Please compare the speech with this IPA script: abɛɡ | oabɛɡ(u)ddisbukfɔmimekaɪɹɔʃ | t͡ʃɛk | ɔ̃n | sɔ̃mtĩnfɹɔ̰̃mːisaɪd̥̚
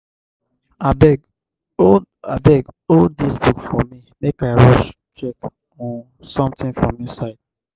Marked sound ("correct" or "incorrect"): incorrect